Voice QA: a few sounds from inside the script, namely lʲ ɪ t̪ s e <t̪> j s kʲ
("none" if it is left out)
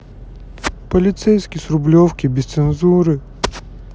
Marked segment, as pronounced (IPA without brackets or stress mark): none